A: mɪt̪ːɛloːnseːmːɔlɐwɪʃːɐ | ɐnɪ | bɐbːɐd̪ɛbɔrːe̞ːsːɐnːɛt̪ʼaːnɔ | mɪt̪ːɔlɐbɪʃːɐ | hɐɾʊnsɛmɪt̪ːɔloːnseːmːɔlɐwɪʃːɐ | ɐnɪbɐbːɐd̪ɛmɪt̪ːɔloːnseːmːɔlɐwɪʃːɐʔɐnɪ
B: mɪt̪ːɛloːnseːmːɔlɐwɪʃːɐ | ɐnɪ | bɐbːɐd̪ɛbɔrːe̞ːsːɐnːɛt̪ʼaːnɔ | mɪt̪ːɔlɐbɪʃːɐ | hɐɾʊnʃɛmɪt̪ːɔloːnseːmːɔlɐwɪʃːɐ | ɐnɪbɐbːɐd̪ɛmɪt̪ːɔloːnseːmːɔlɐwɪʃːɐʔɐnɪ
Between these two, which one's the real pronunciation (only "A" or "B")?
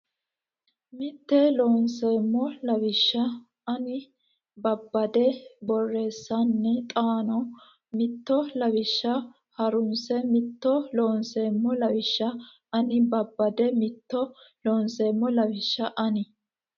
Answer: A